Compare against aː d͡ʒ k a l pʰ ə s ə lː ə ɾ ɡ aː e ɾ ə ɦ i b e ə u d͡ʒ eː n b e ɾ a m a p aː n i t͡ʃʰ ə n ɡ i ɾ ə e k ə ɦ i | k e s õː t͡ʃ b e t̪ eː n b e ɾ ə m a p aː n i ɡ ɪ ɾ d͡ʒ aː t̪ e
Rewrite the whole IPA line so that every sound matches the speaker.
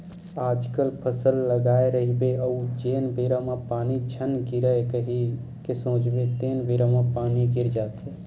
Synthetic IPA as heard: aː d͡ʒ k ə l pʰ ə s ə lː ə ɡ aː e ɾ ə ɦ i b e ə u d͡ʒ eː n b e ɾ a m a p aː n i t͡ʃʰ ə n ɡ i ɾ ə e k ə ɦ i | k e s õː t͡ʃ b e t̪ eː n b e ɾ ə m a p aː n i ɡ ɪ ɾ d͡ʒ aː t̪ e